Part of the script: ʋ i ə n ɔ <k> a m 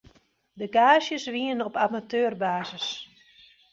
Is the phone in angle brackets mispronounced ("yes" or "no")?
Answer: yes